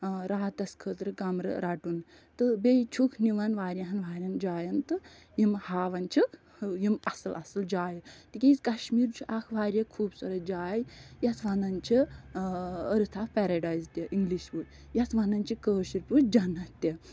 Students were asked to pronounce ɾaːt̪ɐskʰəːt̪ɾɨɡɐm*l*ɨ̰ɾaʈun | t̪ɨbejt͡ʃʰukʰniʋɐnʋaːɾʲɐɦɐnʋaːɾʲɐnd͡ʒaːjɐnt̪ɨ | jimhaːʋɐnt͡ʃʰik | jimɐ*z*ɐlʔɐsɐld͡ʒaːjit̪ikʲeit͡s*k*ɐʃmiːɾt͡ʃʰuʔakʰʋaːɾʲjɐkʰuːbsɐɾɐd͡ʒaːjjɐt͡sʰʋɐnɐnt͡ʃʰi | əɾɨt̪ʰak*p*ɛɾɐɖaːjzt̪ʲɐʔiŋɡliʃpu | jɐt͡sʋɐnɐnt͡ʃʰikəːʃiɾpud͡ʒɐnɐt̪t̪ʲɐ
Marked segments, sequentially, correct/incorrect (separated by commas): incorrect, incorrect, correct, correct